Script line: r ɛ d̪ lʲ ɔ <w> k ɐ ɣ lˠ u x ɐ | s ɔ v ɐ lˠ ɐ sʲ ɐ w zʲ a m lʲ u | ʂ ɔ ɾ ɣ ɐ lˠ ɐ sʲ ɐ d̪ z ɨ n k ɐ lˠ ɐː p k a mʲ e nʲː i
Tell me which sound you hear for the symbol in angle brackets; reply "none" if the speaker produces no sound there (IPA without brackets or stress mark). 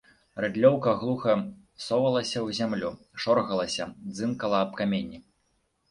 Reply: w